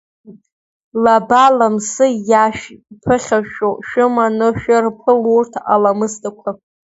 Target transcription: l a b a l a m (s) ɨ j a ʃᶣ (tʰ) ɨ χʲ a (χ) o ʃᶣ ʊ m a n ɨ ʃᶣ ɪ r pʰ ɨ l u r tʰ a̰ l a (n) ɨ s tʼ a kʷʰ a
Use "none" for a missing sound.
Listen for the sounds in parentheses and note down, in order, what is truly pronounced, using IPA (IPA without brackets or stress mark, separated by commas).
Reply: s, pʰ, ʃ, m